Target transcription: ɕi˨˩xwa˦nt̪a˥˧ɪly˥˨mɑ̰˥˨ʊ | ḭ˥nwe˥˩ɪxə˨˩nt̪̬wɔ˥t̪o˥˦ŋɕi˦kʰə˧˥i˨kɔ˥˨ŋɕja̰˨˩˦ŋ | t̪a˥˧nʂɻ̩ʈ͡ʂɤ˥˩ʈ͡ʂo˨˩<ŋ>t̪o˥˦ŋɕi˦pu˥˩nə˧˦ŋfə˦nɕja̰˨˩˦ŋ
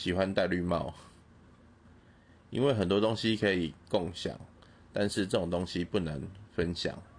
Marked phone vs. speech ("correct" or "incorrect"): correct